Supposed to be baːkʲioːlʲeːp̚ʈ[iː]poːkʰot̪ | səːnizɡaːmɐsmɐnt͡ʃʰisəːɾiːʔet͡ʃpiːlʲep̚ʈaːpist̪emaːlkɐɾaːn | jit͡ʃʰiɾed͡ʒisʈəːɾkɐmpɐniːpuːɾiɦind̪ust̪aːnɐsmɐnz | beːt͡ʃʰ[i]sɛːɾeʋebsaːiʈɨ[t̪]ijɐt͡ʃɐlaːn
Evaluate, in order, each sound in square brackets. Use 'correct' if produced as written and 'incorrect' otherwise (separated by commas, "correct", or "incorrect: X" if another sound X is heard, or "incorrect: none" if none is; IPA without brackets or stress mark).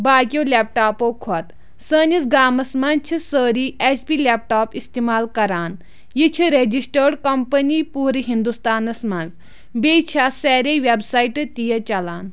incorrect: aː, incorrect: a, correct